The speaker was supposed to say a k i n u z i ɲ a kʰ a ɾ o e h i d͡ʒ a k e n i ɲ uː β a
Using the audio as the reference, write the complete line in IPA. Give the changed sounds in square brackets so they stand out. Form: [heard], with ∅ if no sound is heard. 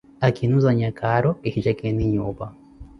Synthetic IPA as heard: a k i n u z [a] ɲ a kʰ a ɾ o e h i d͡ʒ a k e n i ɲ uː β a